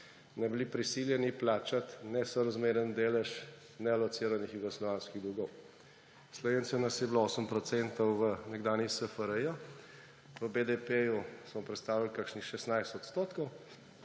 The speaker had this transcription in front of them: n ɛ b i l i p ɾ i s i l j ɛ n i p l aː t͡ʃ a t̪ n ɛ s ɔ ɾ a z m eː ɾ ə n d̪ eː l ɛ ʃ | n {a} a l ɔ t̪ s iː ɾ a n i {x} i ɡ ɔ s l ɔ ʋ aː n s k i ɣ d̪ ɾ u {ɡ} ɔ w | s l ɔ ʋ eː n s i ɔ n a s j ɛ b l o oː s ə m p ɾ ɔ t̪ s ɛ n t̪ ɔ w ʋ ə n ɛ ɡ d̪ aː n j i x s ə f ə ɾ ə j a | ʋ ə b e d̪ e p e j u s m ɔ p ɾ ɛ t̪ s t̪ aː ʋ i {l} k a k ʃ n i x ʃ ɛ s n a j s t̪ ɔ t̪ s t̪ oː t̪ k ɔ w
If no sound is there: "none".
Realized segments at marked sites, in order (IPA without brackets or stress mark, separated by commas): ɛ, x, ɡ, l